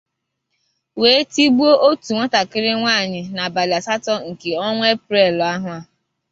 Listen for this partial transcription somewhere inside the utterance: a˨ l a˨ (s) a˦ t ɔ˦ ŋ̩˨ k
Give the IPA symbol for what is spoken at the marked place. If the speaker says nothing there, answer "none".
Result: s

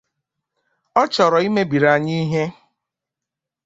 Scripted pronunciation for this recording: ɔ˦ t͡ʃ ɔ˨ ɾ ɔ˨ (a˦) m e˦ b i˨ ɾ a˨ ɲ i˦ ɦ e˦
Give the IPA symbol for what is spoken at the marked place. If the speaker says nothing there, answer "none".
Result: i˦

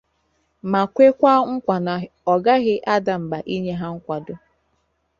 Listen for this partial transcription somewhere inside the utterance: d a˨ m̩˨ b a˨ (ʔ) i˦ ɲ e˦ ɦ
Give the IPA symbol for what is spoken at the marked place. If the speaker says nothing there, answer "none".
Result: ʔ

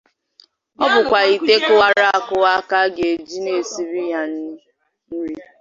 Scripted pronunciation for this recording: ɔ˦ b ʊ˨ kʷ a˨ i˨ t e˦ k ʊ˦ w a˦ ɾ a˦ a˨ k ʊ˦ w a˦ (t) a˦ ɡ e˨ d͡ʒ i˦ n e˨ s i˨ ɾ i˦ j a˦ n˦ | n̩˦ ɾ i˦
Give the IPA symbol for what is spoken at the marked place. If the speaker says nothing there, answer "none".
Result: k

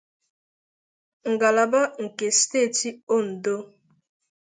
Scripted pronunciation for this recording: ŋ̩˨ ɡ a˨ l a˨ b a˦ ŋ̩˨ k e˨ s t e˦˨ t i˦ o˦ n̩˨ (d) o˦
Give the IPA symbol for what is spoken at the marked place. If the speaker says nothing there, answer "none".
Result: d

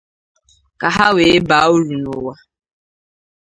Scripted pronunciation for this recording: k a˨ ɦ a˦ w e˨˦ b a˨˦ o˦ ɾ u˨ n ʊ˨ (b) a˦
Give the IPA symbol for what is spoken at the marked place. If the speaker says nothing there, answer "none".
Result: w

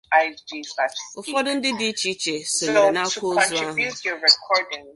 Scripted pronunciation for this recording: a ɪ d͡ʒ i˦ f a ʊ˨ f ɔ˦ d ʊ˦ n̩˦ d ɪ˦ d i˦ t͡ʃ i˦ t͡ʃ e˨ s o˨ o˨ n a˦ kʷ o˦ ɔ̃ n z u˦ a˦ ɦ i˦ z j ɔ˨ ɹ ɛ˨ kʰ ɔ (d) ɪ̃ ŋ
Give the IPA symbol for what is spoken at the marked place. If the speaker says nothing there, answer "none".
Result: d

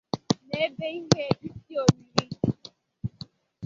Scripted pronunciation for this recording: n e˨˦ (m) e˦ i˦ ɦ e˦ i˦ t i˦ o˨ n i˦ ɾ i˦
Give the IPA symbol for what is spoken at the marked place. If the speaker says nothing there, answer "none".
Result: b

